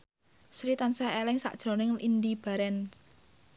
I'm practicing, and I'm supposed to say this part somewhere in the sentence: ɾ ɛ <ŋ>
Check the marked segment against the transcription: incorrect: n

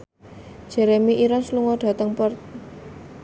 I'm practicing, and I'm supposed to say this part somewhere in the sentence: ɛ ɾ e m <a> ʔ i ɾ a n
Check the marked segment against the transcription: incorrect: i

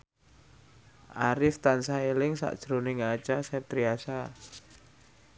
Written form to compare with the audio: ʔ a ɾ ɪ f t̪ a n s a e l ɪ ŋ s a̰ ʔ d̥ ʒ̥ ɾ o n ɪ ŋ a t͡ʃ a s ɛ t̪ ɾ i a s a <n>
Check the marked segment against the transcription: incorrect: none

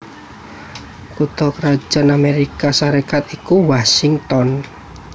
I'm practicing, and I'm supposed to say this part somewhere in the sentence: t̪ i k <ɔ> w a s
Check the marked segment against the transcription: incorrect: u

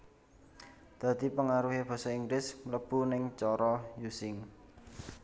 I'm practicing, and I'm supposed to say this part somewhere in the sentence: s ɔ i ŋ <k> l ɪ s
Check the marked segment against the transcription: incorrect: ɡ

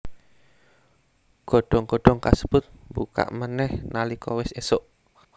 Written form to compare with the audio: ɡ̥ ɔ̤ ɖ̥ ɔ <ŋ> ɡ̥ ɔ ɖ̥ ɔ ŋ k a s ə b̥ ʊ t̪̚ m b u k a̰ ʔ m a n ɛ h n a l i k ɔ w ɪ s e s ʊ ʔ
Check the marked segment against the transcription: correct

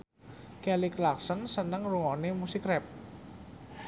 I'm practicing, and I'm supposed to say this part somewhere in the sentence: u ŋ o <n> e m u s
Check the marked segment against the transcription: correct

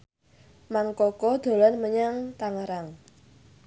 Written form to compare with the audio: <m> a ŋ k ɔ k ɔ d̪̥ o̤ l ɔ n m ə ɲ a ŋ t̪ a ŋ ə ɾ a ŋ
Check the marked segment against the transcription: correct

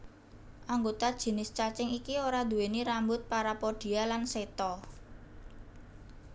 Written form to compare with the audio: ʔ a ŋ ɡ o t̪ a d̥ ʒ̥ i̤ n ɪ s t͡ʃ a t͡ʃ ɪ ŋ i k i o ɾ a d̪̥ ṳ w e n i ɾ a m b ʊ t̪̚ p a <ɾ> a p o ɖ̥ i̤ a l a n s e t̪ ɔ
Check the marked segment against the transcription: correct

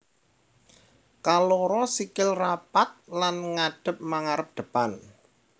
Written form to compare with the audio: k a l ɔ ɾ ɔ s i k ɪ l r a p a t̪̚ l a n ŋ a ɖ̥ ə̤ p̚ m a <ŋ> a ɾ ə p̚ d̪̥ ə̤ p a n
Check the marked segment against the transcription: correct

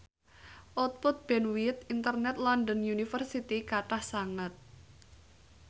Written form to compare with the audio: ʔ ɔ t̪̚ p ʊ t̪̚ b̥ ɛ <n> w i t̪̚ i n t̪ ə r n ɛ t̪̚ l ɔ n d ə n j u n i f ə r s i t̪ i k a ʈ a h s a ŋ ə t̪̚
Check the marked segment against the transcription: correct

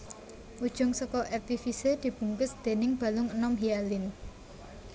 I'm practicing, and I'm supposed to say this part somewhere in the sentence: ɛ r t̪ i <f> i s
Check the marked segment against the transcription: correct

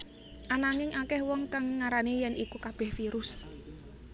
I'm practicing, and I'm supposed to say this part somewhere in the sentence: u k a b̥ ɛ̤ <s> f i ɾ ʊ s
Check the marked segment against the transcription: incorrect: h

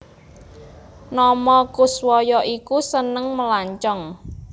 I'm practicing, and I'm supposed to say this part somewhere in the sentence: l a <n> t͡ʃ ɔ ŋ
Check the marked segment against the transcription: incorrect: ɲ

